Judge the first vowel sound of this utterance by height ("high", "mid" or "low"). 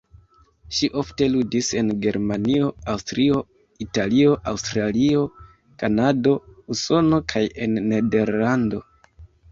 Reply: high